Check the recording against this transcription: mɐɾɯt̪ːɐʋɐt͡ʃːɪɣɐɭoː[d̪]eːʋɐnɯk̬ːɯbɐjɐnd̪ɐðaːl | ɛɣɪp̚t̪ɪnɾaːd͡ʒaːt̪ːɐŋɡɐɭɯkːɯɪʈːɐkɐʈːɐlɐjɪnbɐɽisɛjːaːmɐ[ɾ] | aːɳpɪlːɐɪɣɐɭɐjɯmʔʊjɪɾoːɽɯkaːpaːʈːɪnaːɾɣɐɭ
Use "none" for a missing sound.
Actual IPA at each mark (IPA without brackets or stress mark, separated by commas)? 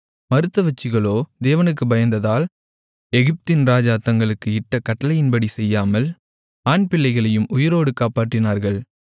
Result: d̪, l